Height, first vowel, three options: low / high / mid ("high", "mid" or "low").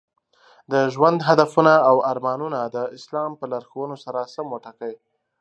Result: mid